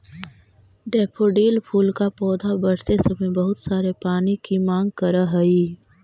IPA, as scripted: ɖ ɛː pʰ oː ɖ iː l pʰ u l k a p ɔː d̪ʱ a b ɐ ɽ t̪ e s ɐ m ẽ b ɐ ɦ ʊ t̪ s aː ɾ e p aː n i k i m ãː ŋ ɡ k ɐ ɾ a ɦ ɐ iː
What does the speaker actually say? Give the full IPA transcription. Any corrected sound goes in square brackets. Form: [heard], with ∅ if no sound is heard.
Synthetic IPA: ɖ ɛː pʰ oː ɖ iː l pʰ [uː] l k a p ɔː d̪ʱ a b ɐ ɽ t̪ e s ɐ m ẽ b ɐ ɦ ʊ t̪ s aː ɾ e p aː n i k i m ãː ŋ ɡ k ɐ ɾ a ɦ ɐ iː